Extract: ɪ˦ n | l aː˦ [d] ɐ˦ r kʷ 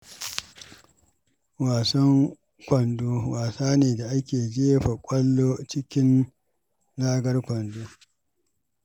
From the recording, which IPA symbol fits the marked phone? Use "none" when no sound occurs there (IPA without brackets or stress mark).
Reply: ɡ